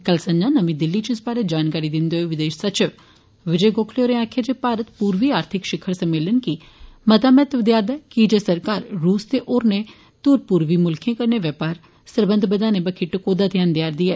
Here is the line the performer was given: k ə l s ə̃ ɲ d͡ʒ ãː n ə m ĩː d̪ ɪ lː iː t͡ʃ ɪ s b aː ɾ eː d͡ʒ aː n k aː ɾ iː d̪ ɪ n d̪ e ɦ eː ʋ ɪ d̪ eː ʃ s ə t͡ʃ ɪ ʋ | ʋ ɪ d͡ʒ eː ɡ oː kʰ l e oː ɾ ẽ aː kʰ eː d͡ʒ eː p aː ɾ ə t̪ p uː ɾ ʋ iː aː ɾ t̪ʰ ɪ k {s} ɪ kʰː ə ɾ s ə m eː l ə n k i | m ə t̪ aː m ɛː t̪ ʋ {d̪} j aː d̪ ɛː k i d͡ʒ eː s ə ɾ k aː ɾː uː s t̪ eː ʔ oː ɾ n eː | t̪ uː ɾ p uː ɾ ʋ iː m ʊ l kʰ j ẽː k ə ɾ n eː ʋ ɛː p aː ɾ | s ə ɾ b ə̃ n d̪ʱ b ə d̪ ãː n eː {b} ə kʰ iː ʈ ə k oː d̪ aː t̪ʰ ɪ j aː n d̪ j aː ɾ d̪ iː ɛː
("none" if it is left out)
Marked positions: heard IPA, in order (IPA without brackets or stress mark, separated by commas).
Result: ʃ, d̪, b